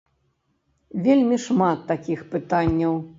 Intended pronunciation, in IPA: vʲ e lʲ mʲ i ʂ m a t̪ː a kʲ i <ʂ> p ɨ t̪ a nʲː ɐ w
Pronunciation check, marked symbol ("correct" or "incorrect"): incorrect